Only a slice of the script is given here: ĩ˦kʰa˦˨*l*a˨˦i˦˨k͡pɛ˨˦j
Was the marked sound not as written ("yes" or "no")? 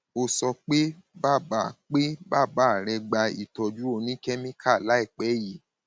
no